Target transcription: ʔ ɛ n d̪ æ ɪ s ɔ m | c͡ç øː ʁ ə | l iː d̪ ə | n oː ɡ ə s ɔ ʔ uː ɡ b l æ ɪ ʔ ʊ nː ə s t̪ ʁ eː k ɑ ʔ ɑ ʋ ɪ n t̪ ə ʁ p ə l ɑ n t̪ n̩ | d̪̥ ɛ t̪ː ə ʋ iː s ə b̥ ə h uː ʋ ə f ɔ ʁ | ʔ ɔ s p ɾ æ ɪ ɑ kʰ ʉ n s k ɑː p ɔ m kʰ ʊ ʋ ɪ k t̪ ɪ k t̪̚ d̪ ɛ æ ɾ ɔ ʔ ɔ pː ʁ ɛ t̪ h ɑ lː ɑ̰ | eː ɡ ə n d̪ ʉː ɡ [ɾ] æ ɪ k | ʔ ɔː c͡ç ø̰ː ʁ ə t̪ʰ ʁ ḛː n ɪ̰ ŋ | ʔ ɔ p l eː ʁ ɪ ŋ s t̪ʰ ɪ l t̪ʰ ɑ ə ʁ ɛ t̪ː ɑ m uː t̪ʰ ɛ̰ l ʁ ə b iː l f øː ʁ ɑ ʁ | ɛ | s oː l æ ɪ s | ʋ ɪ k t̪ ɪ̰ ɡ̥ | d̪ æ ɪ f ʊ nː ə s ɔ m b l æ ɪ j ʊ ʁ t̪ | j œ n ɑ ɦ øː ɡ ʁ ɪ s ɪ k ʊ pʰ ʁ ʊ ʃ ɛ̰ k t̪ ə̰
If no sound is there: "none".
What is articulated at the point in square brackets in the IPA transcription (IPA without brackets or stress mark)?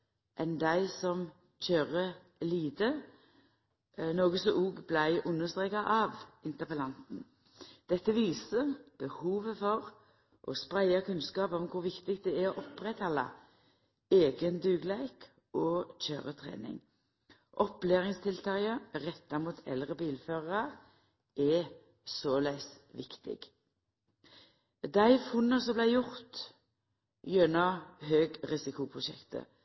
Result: l